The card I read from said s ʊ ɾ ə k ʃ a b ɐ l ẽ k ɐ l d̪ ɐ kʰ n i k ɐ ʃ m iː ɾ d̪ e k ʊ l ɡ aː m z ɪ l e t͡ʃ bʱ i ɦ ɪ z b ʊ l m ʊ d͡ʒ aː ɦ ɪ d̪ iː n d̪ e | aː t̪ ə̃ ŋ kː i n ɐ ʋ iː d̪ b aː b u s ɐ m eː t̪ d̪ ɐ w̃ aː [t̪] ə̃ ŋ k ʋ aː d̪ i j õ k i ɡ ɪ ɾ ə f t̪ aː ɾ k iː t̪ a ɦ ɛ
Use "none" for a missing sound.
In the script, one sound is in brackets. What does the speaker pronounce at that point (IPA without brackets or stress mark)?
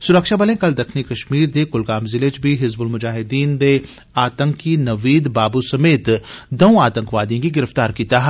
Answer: t̪